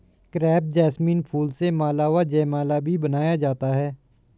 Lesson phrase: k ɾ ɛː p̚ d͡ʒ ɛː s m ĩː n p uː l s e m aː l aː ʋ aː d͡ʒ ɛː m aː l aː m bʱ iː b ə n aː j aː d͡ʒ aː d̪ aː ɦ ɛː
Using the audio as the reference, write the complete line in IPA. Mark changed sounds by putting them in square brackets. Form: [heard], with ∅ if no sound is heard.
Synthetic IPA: k ɾ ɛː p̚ d͡ʒ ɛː s m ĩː n [pʰ] uː l s e m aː l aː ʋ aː d͡ʒ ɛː m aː l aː [∅] bʱ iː b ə n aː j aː d͡ʒ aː [t̪] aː ɦ ɛː